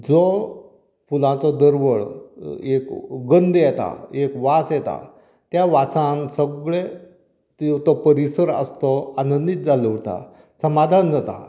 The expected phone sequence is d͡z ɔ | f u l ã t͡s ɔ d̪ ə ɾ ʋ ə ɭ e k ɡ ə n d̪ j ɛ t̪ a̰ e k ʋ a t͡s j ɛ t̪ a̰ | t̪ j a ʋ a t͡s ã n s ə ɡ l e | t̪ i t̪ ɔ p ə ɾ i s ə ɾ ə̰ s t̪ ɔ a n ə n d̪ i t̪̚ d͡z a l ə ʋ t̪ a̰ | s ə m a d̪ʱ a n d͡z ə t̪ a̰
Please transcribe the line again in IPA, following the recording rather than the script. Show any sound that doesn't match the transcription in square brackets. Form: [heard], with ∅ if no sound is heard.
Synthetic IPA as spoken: d͡z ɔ | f u l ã t͡s ɔ d̪ ə ɾ ʋ ə ɭ e k ɡ ə n d̪ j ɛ t̪ a̰ e k ʋ a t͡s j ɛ t̪ a̰ | t̪ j a ʋ a t͡s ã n s ə ɡ [ɭ] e | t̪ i t̪ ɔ p ə ɾ i s ə ɾ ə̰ s t̪ ɔ a n ə n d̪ i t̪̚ d͡z a l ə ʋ t̪ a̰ | s ə m a d̪ʱ a n d͡z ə t̪ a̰